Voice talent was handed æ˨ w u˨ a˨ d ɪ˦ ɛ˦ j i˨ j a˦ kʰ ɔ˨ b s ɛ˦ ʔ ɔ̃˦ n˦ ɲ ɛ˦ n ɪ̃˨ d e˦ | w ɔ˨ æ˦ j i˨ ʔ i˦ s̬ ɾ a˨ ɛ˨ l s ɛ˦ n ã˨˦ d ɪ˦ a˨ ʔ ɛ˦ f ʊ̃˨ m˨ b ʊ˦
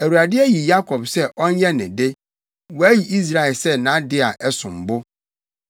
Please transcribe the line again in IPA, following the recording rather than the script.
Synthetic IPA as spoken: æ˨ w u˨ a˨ d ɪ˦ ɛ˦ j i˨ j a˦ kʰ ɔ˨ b s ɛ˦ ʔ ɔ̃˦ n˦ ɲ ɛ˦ n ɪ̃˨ d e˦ | w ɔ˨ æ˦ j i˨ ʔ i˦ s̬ ɾ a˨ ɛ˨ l s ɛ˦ n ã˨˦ d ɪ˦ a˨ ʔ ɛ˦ s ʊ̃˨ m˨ b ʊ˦

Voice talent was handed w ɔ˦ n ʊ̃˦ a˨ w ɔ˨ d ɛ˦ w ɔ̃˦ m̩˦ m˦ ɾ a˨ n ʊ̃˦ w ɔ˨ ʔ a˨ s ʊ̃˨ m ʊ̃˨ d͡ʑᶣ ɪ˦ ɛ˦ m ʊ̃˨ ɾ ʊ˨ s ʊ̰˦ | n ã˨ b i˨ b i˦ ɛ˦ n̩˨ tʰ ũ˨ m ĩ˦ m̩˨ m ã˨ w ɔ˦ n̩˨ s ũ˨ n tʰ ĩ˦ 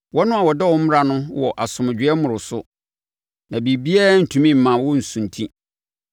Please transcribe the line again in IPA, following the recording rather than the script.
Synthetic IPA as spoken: w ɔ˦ n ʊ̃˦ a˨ w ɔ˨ d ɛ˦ w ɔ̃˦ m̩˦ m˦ ɾ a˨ n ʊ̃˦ w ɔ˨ ʔ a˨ s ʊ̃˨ m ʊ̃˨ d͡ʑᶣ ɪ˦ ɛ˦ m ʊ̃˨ ɾ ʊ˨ s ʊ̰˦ | n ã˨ b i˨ b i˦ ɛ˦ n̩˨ tʰ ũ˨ m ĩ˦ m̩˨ m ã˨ w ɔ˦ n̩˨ s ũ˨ n tʰ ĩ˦

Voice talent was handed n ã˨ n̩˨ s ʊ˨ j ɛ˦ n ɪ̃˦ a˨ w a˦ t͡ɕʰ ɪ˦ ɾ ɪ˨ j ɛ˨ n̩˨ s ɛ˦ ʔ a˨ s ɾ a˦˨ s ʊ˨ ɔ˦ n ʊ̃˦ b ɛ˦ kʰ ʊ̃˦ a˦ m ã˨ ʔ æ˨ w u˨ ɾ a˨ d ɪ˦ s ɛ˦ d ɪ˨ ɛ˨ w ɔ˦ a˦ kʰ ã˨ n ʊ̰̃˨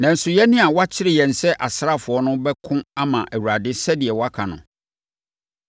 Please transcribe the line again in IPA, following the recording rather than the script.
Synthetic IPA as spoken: n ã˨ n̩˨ s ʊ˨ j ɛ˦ n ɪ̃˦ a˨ w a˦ t͡ɕʰ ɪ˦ ɾ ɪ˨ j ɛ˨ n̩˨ s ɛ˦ ʔ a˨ s ɾ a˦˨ f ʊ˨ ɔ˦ n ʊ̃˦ b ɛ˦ kʰ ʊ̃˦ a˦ m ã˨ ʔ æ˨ w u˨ ɾ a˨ d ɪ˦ s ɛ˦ d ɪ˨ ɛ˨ w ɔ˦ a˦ kʰ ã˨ n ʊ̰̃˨

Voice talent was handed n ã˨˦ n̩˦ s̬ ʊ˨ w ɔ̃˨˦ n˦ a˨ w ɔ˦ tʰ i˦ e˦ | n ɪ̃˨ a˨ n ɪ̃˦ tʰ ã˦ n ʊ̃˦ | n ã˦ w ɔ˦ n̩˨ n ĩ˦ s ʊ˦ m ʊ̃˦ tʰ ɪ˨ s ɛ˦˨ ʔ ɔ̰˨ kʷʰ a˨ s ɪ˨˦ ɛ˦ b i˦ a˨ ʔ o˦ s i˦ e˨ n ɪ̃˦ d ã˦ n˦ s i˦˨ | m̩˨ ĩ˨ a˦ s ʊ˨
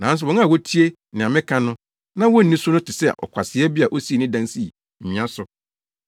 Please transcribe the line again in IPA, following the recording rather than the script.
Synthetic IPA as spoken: n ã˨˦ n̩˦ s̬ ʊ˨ w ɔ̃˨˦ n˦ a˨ w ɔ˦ tʰ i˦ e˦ | n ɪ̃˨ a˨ m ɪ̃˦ kʰ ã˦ n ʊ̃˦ | n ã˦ w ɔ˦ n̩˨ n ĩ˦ s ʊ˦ n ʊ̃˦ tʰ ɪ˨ s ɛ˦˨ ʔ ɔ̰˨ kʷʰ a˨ s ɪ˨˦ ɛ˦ b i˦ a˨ ʔ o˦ s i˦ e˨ n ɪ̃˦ d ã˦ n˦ s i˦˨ | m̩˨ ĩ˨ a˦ s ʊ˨

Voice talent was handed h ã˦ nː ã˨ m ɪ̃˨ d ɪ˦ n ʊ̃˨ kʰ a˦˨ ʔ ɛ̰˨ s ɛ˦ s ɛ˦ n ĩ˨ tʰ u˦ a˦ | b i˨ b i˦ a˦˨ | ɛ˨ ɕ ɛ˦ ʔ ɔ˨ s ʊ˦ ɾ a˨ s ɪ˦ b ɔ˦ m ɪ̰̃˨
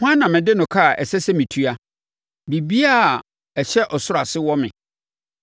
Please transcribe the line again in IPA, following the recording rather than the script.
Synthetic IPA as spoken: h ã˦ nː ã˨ m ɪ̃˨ d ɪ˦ n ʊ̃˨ kʰ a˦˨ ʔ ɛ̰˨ s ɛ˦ s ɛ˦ m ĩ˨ tʰ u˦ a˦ | b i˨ b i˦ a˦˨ | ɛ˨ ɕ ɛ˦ ʔ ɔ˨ s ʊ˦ ɾ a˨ s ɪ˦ w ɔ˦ m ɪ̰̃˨

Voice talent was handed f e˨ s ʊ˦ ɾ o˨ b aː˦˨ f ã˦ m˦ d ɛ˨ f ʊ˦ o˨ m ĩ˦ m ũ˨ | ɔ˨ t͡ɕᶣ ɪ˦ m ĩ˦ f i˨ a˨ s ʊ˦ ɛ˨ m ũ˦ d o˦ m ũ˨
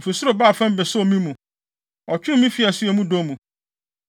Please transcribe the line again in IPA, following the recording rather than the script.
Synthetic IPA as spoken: f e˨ s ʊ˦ ɾ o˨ b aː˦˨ f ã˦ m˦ b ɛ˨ s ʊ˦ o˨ m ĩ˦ m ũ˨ | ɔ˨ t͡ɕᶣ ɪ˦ m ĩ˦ f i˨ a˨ s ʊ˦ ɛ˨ m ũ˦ d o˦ m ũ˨

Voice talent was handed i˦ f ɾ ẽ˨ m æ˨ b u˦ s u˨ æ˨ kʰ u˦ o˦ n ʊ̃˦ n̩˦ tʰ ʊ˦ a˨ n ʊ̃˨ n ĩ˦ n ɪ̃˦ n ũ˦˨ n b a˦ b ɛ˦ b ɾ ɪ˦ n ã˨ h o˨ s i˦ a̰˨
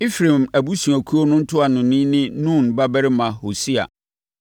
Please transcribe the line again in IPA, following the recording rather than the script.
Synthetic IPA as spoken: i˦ f ɾ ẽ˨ m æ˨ b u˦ s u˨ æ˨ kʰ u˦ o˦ n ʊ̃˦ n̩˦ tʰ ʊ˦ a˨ n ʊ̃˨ n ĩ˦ n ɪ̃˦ n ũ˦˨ n b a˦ b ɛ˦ ɾ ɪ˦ m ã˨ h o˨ s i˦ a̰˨

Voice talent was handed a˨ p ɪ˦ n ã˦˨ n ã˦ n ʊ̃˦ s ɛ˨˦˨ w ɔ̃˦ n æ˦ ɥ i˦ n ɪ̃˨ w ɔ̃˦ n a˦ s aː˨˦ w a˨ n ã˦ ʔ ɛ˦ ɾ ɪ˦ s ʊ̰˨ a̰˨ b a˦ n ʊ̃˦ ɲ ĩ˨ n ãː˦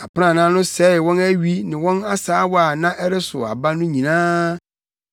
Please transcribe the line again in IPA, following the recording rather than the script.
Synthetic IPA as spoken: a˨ p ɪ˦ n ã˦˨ n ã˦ n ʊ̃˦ s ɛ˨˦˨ w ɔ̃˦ n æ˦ ɥ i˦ n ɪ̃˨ w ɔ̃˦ n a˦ s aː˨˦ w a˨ n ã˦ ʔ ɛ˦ ɾ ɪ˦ s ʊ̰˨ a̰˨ b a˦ n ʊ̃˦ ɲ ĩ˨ n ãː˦

